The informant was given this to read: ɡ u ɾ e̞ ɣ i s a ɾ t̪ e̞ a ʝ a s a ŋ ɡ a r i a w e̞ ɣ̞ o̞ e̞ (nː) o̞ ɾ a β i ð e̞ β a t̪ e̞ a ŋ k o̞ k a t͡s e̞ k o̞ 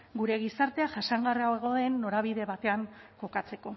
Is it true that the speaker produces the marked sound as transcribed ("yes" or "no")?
yes